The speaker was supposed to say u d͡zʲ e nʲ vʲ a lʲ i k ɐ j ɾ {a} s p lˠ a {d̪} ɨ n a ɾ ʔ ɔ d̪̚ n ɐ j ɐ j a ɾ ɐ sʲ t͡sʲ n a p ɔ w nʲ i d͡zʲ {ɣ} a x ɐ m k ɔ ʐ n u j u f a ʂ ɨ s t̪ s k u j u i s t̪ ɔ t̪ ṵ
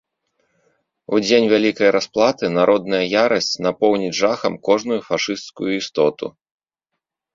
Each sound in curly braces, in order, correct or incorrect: correct, incorrect, incorrect

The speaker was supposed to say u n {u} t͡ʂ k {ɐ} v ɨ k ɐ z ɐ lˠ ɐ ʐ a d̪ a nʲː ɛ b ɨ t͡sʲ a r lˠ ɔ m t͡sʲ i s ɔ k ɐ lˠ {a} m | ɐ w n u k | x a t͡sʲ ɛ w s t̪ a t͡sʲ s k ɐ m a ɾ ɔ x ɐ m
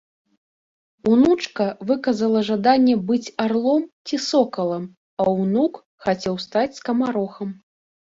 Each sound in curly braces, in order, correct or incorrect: correct, correct, incorrect

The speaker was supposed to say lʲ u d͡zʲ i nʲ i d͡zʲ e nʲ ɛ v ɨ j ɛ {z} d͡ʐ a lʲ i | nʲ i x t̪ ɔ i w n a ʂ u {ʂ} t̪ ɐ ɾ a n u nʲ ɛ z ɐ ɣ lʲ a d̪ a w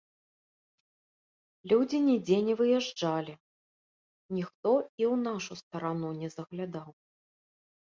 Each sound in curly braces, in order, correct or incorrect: incorrect, incorrect

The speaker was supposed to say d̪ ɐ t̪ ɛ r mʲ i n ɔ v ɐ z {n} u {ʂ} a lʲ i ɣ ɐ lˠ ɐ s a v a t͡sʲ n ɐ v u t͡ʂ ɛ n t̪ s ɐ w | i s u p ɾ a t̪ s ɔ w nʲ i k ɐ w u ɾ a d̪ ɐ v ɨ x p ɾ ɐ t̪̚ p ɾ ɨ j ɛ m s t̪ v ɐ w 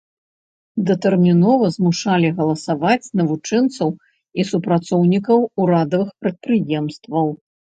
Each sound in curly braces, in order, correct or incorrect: incorrect, correct

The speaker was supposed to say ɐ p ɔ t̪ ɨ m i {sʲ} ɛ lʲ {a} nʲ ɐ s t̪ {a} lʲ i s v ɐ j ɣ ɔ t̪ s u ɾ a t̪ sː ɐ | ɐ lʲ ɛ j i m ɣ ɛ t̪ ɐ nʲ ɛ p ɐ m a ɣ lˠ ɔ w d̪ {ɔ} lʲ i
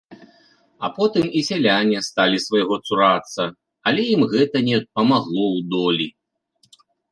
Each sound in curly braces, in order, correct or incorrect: correct, correct, correct, correct

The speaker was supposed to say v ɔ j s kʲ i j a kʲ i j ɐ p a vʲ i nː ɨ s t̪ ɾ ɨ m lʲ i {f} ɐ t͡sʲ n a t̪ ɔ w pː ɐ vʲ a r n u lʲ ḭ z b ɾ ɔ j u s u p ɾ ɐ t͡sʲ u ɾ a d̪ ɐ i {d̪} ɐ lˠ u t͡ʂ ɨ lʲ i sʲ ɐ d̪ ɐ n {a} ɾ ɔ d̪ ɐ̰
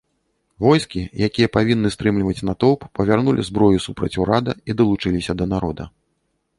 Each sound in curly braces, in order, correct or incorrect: incorrect, correct, correct

